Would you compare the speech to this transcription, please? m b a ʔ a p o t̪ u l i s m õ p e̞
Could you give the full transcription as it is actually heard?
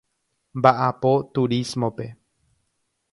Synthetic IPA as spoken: m b a ʔ a p o t̪ u ɾ i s m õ p e̞